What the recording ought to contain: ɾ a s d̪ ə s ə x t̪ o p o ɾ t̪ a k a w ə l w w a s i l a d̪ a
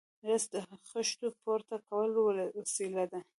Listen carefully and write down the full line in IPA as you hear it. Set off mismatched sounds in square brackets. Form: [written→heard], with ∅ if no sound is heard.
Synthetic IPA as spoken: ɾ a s d̪ ə [s→x] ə [x→ʃ] t̪ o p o ɾ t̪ a k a w ə l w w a s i l a d̪ a